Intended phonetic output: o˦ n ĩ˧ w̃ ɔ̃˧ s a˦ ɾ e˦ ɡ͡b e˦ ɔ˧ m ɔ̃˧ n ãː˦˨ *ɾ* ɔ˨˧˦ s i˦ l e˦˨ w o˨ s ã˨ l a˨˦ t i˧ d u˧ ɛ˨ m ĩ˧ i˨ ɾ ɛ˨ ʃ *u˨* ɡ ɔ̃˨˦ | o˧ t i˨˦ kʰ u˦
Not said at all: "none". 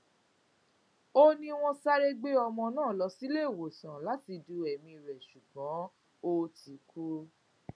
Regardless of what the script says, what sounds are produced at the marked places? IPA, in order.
l, u˨

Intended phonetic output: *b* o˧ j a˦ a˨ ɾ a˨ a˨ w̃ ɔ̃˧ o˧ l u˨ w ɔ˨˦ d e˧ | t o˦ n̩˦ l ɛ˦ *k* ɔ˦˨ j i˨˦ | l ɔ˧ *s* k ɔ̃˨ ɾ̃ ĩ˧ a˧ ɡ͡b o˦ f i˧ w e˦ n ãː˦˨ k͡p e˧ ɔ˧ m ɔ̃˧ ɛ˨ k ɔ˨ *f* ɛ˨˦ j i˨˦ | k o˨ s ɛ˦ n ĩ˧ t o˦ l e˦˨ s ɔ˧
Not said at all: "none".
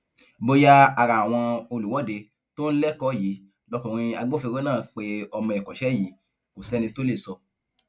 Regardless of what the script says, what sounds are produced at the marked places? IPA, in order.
b, k, none, ʃ

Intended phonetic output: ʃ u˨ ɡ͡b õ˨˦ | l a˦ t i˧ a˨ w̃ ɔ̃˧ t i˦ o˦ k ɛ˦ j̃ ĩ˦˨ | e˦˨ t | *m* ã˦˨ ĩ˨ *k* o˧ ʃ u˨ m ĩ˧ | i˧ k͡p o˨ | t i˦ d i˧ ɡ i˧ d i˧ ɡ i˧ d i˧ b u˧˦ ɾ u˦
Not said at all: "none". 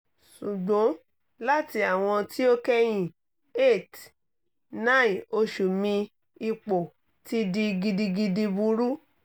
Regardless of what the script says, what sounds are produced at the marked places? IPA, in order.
n, none

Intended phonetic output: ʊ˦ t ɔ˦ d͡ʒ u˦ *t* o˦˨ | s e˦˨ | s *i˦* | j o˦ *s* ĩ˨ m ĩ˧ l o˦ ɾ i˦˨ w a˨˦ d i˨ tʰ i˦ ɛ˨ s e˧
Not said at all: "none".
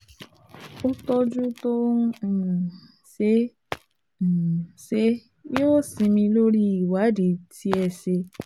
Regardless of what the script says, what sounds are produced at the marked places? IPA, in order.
t, e˦, s

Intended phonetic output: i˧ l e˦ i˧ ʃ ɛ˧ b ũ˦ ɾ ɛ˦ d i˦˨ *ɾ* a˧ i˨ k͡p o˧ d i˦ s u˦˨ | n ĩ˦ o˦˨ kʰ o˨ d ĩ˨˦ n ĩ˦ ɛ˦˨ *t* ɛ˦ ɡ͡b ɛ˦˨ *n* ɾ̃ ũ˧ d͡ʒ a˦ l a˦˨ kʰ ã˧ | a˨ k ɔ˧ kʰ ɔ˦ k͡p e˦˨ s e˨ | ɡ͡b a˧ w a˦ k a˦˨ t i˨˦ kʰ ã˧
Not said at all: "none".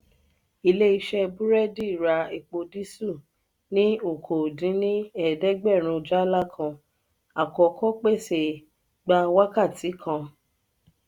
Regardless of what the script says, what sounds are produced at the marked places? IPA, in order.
ɾ, d, none

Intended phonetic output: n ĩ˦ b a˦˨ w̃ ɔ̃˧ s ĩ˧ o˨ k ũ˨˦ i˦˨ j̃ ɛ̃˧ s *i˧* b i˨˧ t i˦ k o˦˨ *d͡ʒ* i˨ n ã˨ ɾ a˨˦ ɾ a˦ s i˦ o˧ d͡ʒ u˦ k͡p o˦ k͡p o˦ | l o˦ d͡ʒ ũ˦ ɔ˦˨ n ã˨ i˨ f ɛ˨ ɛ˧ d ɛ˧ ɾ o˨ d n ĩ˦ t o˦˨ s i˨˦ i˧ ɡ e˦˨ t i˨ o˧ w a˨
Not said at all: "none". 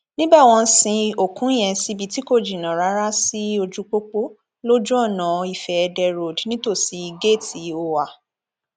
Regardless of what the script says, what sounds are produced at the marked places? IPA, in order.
i˧, d͡ʒ

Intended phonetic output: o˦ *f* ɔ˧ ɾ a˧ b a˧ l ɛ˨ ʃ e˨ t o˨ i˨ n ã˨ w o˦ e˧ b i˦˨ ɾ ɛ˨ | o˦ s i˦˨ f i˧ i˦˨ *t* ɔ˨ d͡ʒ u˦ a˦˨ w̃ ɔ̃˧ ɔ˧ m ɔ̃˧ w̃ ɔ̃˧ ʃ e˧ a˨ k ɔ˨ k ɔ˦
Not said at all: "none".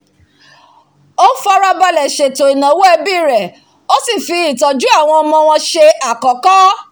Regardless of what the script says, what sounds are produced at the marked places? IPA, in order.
f, t

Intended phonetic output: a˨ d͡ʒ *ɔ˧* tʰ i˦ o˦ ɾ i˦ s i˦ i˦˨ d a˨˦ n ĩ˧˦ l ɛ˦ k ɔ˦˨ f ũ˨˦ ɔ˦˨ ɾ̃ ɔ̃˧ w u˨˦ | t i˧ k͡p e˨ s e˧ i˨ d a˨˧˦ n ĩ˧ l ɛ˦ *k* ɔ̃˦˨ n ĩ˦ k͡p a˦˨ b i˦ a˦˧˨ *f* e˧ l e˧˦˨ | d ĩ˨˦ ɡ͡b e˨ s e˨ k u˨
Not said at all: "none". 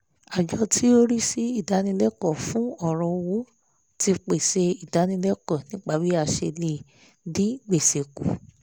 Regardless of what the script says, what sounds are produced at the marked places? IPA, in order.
ɔ˧, k, ʃ

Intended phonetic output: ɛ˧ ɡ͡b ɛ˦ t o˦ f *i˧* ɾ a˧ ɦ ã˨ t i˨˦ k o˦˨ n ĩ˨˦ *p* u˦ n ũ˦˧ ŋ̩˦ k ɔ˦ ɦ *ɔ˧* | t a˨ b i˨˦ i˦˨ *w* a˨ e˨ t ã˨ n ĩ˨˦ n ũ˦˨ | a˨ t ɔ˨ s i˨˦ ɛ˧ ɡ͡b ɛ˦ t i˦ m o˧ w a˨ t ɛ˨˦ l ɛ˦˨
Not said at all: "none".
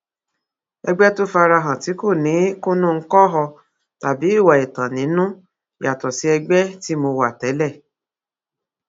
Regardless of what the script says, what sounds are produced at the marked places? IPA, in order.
a˧, k, ɔ˧, w

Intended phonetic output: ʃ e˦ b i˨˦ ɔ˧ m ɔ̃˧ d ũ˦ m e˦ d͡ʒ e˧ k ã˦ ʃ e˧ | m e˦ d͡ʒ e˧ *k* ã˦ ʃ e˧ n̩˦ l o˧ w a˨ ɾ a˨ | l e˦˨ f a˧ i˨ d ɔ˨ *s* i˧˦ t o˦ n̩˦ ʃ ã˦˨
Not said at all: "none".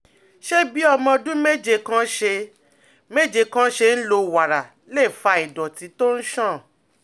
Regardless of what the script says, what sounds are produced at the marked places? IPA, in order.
k, t

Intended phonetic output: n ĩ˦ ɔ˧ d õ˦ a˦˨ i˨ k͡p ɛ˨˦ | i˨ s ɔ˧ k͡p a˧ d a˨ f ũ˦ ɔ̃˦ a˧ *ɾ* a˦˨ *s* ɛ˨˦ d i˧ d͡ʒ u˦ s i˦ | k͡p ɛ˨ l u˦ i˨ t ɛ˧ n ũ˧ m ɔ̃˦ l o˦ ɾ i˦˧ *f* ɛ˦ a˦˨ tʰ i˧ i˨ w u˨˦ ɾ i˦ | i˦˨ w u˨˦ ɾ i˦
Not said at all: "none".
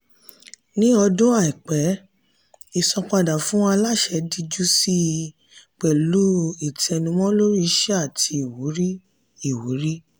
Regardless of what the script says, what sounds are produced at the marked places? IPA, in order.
l, ʃ, ʃ

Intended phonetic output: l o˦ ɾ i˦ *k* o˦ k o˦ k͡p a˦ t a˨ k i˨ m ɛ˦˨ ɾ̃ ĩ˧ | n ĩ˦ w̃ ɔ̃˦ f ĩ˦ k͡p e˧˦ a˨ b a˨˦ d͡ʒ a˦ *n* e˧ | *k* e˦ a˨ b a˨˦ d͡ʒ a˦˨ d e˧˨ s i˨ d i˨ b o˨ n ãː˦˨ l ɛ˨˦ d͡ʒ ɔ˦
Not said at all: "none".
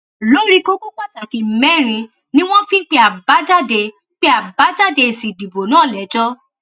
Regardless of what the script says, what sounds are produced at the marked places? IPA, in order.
k, d, k͡p

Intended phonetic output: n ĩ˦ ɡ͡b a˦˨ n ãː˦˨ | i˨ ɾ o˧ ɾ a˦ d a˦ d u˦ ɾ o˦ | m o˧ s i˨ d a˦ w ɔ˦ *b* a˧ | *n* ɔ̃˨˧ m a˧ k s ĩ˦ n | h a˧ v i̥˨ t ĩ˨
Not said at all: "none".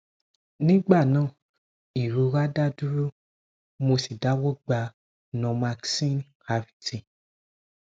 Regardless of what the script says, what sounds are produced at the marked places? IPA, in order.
ɡ͡b, n

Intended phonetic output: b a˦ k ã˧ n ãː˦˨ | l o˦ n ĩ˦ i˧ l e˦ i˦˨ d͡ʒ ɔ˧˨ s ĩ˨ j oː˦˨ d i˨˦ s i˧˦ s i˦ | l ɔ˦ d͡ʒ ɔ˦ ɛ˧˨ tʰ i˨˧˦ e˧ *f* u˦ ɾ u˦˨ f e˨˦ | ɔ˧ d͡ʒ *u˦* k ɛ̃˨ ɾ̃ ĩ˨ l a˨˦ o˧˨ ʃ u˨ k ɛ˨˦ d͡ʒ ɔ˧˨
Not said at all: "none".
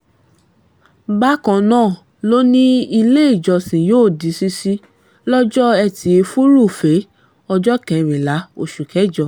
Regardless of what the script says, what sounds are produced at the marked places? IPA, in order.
f, ɔ˦

